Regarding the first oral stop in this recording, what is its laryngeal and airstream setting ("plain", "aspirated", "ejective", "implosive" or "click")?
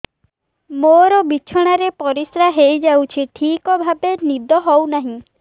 plain